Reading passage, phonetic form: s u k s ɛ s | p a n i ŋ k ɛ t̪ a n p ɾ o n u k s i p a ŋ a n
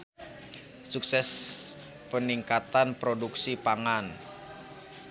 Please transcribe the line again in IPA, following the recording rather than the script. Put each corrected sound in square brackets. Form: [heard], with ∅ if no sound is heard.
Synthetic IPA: s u k s ɛ s | p [ə] n i ŋ k [a] t̪ a n p ɾ o [d] u k s i p a ŋ a n